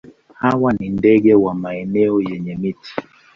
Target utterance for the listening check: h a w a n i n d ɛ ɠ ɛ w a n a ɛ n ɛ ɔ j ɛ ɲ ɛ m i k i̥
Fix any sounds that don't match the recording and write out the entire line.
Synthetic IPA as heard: h a w a n i n d ɛ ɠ ɛ w a m a ɛ n ɛ ɔ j ɛ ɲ ɛ m i t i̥